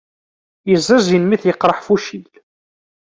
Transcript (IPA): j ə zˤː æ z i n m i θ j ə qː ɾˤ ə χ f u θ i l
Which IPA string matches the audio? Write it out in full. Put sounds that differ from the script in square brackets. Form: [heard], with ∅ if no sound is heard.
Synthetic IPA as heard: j ə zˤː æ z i n m i θ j ə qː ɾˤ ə [ħ] f u [ʃ] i l